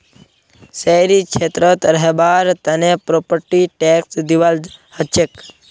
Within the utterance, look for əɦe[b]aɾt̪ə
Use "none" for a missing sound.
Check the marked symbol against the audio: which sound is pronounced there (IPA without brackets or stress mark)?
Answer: b